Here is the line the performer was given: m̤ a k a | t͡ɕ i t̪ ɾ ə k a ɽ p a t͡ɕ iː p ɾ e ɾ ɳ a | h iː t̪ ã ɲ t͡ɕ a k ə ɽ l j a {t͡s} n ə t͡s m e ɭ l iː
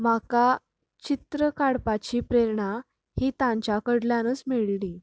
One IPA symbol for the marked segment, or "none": none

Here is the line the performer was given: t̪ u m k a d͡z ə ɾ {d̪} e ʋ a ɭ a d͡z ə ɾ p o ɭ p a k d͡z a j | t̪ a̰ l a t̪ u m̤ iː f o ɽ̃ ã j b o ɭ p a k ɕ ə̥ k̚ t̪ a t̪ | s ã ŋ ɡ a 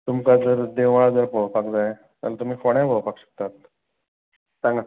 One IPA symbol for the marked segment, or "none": d̪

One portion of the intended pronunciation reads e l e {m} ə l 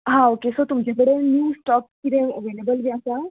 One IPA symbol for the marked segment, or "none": b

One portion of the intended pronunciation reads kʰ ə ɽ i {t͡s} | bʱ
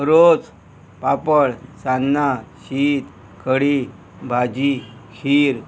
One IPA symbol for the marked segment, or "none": none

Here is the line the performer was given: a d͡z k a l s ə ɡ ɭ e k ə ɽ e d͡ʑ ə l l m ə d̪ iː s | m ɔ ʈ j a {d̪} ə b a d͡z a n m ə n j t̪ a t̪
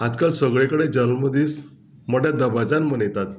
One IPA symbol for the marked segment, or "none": d̪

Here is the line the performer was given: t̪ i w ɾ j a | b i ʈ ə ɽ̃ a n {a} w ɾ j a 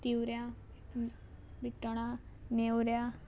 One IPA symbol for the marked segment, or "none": e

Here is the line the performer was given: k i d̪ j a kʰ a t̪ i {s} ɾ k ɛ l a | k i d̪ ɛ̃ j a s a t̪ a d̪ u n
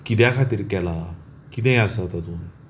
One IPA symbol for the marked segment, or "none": none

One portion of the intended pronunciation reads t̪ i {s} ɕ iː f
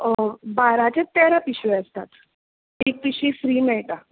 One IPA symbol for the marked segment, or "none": none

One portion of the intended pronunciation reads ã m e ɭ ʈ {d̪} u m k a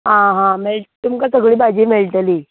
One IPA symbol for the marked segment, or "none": t̪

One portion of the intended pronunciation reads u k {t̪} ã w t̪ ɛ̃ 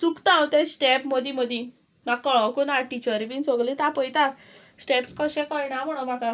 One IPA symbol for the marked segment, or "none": t̪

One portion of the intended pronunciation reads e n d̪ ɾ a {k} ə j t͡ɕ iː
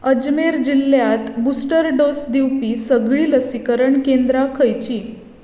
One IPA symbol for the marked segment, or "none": kʰ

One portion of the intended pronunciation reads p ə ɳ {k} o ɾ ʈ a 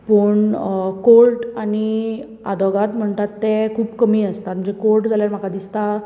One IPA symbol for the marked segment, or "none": k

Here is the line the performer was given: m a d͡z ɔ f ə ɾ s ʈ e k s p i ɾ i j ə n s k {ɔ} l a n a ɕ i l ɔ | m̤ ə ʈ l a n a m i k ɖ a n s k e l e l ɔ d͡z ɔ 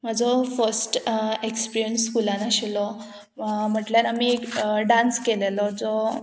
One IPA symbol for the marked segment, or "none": u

